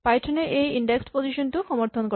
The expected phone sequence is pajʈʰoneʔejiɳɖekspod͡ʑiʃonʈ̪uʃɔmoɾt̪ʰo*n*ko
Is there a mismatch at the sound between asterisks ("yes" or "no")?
no